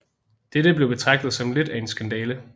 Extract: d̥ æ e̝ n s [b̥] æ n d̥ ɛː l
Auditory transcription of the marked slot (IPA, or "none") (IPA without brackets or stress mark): ɡ̥